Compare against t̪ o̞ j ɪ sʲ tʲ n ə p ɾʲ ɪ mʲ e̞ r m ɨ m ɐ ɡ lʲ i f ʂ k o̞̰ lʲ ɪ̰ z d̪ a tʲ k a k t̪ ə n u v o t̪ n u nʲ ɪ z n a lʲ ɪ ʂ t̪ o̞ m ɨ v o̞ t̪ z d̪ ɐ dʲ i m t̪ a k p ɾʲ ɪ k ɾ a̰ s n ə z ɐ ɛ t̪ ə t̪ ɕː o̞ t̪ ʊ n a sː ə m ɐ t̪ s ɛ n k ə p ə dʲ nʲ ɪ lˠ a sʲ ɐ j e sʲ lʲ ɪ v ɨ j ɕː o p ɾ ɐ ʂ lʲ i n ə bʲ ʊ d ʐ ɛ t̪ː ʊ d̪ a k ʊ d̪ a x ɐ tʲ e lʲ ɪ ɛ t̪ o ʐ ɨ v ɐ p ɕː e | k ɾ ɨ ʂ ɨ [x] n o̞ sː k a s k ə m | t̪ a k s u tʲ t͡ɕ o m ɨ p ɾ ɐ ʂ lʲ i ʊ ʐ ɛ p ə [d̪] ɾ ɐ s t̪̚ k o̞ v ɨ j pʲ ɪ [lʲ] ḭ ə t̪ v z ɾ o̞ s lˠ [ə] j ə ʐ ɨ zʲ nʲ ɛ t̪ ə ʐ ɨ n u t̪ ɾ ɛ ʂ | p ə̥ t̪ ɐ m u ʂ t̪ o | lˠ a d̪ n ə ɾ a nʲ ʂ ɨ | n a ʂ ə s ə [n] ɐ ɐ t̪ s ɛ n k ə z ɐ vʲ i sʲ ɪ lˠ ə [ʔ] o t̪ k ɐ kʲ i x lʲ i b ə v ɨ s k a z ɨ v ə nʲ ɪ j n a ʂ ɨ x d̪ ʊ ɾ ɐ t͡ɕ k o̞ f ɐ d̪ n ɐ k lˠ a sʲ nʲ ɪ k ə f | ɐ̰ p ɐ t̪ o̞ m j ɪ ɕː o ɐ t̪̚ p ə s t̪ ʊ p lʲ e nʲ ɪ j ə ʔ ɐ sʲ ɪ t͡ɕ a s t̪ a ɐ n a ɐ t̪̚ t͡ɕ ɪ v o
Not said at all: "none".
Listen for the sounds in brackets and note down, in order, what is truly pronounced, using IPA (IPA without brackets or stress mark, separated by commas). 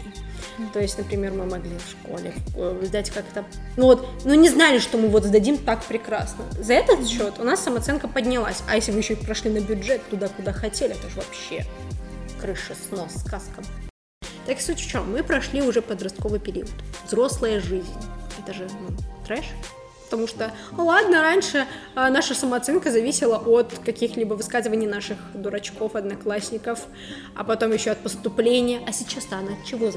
s, d̪, ɾʲ, ə, m, ʔ